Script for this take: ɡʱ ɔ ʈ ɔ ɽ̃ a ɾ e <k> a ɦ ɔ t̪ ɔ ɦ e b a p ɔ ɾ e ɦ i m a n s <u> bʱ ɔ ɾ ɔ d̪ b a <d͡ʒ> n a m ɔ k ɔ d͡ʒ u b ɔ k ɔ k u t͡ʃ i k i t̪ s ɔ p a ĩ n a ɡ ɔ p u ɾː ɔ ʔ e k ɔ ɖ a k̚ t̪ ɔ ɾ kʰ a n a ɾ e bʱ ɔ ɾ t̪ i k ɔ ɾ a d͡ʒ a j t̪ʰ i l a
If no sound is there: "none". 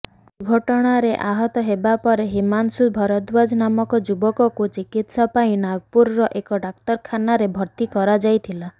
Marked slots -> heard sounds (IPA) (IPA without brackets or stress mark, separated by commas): ʔ, u, d͡ʒ